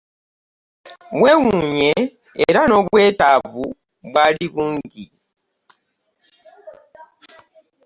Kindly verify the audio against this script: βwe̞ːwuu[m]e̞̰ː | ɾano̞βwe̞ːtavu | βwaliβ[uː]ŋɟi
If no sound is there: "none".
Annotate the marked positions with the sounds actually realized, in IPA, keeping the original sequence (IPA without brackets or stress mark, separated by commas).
ɲ, uː